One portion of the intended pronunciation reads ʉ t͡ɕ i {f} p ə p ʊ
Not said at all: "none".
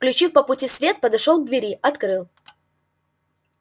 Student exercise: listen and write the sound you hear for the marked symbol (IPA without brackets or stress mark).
f